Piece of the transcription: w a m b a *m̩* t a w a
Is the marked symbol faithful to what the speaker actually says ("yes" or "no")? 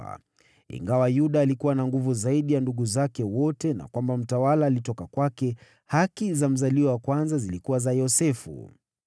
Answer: yes